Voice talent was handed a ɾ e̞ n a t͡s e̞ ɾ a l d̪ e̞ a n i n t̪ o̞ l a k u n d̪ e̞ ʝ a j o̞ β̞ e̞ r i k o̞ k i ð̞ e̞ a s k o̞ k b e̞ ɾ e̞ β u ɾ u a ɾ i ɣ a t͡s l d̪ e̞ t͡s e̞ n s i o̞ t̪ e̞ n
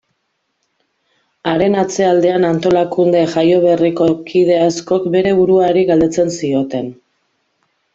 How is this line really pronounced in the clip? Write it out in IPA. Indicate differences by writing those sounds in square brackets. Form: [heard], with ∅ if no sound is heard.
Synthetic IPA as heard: a ɾ e̞ n a t͡s e̞ [∅] a l d̪ e̞ a n [a] n t̪ o̞ l a k u n d̪ e̞ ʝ a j o̞ β̞ e̞ r i k o̞ k i ð̞ e̞ a s k o̞ k b e̞ ɾ e̞ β u ɾ u a ɾ i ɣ a [∅] l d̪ e̞ t͡s e̞ n s i o̞ t̪ e̞ n